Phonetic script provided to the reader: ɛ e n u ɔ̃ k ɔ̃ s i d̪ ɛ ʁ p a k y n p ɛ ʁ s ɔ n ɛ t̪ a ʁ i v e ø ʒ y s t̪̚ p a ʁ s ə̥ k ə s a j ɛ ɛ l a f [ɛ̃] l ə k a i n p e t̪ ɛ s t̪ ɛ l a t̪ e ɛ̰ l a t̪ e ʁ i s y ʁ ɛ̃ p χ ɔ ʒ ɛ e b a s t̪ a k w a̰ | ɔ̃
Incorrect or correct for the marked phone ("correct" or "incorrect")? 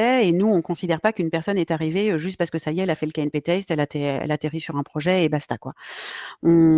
incorrect